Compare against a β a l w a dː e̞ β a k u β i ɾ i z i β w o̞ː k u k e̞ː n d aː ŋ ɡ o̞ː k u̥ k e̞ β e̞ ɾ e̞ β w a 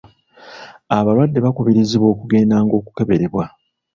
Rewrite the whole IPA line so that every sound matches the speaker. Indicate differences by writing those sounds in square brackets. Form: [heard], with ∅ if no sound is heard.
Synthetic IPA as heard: a β a l w a dː e̞ β a k u β i ɾ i z i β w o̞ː k u [ɡ] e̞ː n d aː ŋ ɡ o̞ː k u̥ k e̞ β e̞ ɾ e̞ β w a